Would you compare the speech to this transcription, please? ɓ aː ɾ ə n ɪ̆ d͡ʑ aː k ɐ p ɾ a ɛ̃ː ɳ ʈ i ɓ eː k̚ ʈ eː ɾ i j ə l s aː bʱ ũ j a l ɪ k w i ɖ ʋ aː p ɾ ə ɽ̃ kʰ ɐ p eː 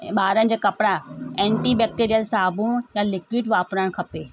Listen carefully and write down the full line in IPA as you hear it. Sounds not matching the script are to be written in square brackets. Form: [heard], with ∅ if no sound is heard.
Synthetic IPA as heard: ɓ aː ɾ ə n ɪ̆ d͡ʑ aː k ɐ p [ɽ] a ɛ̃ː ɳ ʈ i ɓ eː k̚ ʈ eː ɾ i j ə l s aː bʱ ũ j a l ɪ k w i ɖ ʋ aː p ɾ ə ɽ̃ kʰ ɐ p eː

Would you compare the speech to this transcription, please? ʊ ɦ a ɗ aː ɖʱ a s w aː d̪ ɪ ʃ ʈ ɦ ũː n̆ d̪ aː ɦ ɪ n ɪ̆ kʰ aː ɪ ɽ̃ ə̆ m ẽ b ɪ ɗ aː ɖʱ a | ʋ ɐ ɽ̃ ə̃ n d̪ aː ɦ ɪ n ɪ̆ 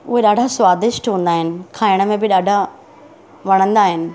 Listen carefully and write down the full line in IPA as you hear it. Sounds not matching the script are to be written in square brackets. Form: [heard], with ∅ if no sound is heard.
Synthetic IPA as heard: ʊ ɦ [e] ɗ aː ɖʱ a s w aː d̪ ɪ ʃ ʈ ɦ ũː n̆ d̪ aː ɦ ɪ n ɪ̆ kʰ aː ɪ ɽ̃ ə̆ m ẽ b ɪ ɗ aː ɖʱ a | ʋ ɐ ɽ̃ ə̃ n d̪ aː ɦ ɪ n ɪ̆

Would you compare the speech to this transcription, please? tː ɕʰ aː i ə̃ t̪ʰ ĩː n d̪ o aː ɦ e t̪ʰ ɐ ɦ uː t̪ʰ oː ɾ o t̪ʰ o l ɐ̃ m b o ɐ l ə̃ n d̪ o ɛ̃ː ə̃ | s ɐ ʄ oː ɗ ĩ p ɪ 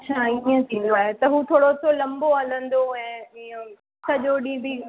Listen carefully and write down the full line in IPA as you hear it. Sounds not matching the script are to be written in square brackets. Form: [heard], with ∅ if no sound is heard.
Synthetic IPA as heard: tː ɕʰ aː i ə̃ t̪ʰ ĩː n d̪ o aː ɦ e [t̪] ɐ ɦ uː t̪ʰ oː [ɽ] o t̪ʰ o l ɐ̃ m b o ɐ l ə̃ n d̪ o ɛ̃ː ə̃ | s ɐ ʄ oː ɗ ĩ [b] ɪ

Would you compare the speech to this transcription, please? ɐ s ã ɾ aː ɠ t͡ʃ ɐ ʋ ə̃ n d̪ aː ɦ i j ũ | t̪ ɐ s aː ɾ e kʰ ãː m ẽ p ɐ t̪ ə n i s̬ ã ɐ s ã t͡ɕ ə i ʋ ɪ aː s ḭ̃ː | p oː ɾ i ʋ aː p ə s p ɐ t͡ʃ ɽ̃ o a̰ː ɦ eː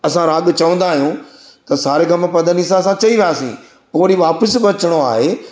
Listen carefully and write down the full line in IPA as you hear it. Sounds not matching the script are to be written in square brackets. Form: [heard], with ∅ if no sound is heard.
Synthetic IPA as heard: ɐ s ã ɾ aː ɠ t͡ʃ ɐ ʋ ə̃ n d̪ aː ɦ i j ũ | t̪ ɐ s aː ɾ e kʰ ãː m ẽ p ɐ [d̪] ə n i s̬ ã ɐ s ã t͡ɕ [ɐ] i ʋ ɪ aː s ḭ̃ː | p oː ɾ i ʋ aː p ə s [b] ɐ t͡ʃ ɽ̃ o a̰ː ɦ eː

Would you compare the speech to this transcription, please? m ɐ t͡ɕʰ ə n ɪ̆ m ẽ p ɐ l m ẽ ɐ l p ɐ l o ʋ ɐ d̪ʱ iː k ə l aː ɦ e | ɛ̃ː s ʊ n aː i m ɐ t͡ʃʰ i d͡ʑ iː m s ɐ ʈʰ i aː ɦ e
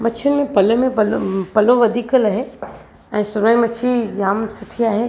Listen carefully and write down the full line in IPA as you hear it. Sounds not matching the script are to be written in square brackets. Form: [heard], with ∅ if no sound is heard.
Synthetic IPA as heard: m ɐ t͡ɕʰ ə n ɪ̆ m ẽ p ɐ l m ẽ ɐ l p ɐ l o ʋ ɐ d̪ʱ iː k ə l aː ɦ e | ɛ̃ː s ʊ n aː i m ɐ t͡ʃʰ i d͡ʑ [aː] m s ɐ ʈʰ i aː ɦ e

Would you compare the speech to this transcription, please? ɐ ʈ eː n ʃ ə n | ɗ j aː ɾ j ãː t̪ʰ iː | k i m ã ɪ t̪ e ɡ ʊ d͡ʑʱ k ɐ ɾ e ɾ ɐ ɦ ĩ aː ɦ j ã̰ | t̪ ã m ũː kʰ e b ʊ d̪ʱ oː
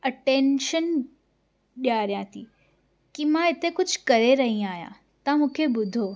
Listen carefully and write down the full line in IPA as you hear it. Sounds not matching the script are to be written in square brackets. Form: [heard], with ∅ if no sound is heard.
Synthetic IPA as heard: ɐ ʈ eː n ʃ ə n | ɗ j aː ɾ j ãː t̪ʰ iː | k i m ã ɪ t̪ e [k] ʊ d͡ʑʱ k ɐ ɾ e ɾ ɐ ɦ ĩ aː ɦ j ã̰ | t̪ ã m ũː kʰ e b ʊ d̪ʱ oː

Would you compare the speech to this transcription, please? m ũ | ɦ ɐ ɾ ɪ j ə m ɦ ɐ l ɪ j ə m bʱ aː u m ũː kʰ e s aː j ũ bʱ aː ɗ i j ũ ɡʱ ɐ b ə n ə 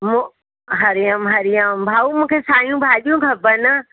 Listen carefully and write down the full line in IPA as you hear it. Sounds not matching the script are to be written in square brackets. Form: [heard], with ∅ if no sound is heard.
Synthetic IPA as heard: m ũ | ɦ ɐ ɾ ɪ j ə m ɦ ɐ [ɾ] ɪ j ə m bʱ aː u m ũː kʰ e s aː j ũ bʱ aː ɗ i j ũ ɡʱ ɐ b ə n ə

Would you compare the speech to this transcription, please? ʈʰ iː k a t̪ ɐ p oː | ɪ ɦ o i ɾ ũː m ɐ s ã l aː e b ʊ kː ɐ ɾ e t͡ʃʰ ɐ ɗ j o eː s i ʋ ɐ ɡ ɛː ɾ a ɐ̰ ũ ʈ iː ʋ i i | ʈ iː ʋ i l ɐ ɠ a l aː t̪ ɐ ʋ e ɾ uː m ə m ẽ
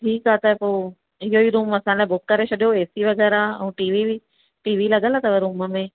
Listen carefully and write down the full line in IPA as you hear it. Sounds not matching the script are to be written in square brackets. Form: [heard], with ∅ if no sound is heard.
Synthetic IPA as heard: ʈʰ iː k a t̪ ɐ p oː | ɪ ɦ o i ɾ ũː m ɐ s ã l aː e b ʊ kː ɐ ɾ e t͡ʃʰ ɐ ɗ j o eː s i ʋ ɐ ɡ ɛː ɾ a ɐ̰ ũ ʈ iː ʋ i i | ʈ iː ʋ i l ɐ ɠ [ə] l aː t̪ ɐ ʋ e ɾ uː m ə m ẽ

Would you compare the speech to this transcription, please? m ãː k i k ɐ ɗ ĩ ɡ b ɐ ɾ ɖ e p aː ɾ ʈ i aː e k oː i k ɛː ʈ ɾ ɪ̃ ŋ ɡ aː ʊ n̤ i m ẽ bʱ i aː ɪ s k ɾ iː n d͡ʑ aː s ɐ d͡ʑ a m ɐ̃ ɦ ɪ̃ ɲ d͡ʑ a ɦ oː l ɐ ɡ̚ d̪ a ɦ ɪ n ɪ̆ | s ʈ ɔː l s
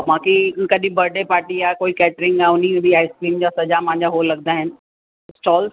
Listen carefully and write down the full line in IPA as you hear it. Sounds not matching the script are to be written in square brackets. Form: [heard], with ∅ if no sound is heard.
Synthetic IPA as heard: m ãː k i k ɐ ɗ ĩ [∅] b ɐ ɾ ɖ e p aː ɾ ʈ i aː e k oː i k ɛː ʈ ɾ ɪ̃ ŋ ɡ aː ʊ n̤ i m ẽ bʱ i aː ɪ s k ɾ iː [m] d͡ʑ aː s ɐ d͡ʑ a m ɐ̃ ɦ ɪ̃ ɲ d͡ʑ a ɦ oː l ɐ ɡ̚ d̪ a ɦ ɪ n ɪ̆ | s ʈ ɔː l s

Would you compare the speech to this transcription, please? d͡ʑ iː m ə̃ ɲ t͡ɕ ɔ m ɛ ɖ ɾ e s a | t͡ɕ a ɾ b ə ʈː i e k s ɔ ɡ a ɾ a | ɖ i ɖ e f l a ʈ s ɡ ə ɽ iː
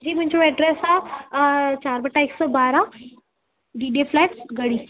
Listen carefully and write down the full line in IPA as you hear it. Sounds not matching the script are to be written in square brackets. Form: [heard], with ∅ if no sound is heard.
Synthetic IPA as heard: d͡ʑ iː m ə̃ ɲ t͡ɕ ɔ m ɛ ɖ ɾ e s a | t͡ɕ a ɾ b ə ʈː [a] e k s ɔ [b] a ɾ a | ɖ i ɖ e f l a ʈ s ɡ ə ɽ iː

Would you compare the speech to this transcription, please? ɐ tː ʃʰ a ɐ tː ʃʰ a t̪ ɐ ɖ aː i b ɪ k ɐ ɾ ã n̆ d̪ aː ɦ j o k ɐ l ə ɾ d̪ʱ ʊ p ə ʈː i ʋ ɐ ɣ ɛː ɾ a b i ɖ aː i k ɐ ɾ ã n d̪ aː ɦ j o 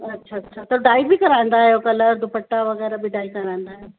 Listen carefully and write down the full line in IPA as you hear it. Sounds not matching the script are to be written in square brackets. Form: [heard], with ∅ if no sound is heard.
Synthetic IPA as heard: ɐ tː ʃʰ a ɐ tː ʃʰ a t̪ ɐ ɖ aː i b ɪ k ɐ ɾ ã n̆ d̪ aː ɦ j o k ɐ l ə ɾ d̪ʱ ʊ p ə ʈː [a] ʋ ɐ ɣ ɛː ɾ a b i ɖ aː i k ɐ ɾ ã n d̪ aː ɦ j o

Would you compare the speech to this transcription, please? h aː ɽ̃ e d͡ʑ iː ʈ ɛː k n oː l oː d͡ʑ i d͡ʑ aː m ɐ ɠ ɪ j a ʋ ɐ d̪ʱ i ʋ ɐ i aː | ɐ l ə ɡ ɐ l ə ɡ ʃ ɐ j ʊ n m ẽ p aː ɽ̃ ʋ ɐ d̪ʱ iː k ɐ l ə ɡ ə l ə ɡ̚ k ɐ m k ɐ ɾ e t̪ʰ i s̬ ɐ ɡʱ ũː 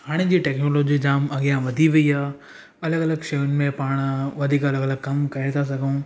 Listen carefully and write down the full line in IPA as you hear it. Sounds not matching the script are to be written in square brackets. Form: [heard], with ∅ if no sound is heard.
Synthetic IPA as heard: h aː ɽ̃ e d͡ʑ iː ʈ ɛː k n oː l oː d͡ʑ i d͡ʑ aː m ɐ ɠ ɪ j a ʋ ɐ d̪ʱ i ʋ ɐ i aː | ɐ l ə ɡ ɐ l ə ɡ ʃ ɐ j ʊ n m ẽ p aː ɽ̃ ʋ ɐ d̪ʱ iː k ɐ l ə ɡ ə l ə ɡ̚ k ɐ m k ɐ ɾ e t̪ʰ [a] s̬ ɐ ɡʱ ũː

